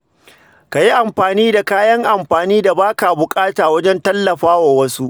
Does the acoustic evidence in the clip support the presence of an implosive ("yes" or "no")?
no